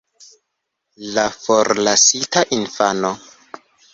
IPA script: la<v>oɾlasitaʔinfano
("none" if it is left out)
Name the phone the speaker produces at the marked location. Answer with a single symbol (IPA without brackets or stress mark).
f